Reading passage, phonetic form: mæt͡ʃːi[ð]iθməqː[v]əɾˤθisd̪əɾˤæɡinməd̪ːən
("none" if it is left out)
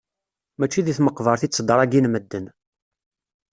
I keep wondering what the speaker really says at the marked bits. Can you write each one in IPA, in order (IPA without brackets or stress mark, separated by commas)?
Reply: ð, v